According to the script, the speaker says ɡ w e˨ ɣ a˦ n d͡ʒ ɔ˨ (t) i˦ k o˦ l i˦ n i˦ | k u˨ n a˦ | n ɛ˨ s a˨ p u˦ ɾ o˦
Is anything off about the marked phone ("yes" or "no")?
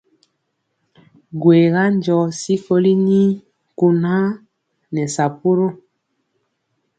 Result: yes